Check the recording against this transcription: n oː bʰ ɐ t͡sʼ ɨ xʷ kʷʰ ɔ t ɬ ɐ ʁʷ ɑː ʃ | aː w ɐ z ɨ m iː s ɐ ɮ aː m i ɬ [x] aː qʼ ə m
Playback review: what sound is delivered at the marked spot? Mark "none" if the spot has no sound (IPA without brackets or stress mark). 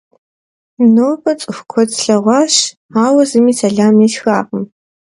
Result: x